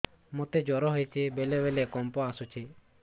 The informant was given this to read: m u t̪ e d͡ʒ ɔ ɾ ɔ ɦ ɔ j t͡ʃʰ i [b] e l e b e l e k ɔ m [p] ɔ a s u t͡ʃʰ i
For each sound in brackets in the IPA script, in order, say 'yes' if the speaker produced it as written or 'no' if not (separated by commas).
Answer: yes, yes